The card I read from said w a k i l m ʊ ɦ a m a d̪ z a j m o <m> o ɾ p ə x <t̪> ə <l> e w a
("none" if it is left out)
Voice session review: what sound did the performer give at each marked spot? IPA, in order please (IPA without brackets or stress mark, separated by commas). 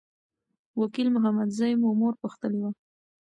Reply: m, t̪, l